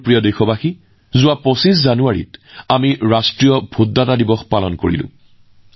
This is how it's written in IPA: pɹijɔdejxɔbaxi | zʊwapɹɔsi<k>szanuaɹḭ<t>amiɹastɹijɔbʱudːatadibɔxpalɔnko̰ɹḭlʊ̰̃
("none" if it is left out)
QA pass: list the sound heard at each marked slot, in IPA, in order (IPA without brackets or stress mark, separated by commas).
none, t